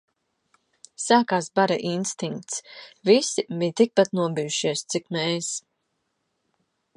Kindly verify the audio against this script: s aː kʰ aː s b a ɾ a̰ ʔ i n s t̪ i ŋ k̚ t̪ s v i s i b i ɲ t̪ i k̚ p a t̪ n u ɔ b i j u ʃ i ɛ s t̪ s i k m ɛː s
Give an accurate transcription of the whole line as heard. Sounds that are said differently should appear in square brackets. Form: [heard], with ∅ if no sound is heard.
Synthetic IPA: s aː [k] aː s b a ɾ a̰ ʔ i n s t̪ i ŋ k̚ t̪ s v i s i b i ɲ t̪ i k̚ p a t̪ n u ɔ b i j u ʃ i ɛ s t̪ s i k m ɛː s